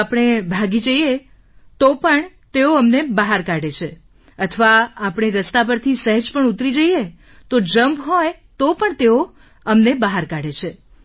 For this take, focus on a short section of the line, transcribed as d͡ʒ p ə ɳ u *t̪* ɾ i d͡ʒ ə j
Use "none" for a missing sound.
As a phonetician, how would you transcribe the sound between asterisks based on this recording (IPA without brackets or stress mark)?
t̪